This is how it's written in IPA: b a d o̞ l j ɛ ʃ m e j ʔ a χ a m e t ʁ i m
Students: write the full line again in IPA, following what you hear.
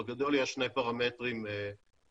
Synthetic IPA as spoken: ɡ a d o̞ l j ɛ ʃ n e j p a ʁ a m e t ʁ i m